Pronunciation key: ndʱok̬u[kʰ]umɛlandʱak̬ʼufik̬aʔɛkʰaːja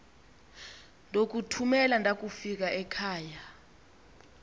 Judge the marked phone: incorrect: tʰ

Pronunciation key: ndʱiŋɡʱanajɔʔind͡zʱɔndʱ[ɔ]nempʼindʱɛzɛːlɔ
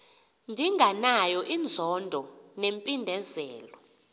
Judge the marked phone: correct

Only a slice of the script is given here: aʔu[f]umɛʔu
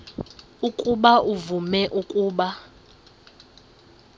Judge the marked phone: incorrect: v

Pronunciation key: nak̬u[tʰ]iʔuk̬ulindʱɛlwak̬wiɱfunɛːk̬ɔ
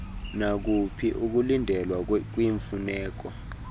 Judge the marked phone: incorrect: pʰ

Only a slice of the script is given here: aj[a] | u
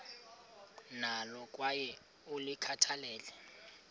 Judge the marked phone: incorrect: ɛ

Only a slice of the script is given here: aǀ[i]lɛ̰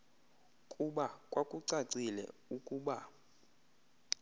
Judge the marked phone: correct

